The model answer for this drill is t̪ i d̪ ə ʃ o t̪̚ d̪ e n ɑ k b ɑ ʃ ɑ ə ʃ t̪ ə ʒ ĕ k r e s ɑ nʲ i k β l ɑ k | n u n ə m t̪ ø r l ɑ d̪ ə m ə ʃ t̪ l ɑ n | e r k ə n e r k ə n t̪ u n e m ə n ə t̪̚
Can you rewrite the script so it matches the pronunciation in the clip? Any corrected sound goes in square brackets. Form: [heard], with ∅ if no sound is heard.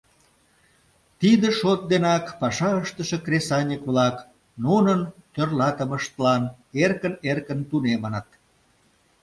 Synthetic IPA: t̪ i d̪ ə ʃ o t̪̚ d̪ e n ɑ k [p] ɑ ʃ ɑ ə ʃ t̪ ə [ʃ] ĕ k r e s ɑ nʲ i k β l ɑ k | n u n ə [n] t̪ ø r l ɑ [t̪] ə m ə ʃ t̪ l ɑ n | e r k ə n e r k ə n t̪ u n e m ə n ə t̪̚